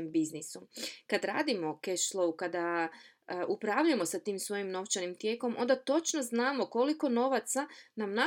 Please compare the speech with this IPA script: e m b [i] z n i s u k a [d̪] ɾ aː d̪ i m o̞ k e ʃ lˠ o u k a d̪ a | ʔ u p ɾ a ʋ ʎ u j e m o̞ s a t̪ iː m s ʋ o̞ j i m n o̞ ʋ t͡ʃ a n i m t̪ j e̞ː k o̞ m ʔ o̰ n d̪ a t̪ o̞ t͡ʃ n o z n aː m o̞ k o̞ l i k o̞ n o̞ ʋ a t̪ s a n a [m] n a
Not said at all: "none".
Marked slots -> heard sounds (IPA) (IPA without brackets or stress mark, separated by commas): i, d̪, m